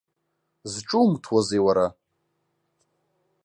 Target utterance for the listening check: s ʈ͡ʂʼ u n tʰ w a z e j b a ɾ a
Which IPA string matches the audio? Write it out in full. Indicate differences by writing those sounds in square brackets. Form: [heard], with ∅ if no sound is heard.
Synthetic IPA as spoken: [z] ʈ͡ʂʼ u [m] tʰ w a z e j [w] a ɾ a